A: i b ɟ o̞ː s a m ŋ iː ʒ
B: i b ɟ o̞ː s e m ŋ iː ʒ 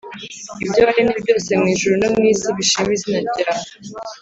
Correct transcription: B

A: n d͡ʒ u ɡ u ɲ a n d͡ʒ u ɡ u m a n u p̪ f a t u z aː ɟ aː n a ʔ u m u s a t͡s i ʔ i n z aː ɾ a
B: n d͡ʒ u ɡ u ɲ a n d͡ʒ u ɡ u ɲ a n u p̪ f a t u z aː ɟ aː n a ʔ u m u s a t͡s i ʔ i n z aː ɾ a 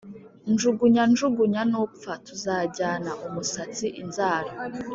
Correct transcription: B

